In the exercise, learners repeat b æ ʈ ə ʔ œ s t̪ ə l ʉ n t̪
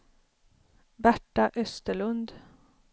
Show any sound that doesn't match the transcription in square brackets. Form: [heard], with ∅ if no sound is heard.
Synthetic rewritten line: b æ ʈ [ɑ] ʔ œ s t̪ ə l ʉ n [d̪]